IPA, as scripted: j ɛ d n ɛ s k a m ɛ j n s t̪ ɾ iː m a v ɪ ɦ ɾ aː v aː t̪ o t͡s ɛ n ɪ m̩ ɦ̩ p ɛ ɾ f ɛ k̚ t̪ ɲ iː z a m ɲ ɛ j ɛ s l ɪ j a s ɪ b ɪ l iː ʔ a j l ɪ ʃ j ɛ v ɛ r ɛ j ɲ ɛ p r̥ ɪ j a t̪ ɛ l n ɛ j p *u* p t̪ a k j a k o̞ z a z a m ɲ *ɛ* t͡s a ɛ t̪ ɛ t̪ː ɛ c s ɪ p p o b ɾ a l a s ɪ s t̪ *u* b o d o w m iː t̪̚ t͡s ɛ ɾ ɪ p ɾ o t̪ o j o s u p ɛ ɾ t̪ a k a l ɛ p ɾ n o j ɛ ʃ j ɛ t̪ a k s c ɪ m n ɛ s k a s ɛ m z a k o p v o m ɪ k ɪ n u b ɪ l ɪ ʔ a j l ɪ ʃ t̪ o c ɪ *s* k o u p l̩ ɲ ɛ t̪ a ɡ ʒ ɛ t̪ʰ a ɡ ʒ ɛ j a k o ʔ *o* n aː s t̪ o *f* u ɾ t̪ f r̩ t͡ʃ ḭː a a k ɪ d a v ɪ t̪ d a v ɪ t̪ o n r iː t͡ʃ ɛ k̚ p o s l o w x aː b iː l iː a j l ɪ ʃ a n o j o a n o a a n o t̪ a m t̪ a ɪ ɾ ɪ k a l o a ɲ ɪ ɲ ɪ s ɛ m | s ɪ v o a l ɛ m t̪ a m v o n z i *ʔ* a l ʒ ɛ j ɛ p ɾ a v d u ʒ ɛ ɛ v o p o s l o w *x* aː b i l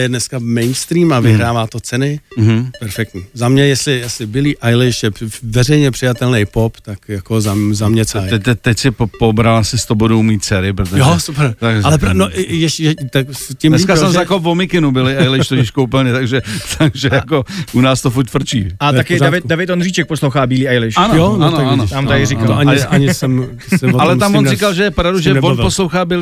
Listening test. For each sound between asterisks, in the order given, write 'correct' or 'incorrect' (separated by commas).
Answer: incorrect, correct, incorrect, incorrect, incorrect, correct, incorrect, correct